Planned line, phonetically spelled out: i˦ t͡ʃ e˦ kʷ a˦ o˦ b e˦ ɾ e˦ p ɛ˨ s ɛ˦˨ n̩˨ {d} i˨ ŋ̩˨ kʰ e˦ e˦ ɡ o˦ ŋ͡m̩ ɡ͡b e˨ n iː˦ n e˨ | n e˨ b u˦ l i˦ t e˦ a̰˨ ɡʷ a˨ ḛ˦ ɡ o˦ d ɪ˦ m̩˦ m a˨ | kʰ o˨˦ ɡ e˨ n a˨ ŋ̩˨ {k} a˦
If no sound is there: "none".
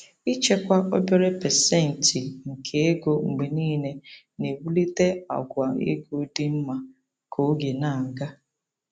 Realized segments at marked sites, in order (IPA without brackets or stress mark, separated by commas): t, ɡ